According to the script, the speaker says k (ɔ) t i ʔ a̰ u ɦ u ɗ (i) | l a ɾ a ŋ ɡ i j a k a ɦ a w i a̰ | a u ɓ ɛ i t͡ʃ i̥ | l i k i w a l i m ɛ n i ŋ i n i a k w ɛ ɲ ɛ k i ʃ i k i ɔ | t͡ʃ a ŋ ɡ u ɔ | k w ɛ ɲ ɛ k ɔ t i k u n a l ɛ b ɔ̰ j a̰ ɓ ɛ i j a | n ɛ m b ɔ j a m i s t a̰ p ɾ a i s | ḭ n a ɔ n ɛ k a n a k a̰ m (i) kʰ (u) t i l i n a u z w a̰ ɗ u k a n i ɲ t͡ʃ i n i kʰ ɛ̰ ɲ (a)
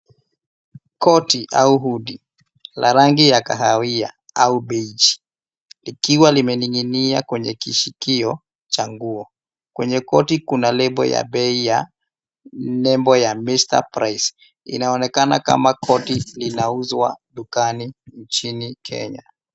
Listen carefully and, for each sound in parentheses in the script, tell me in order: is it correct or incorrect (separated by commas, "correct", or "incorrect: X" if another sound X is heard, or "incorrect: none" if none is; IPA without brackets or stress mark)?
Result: correct, correct, incorrect: a, incorrect: ɔ, correct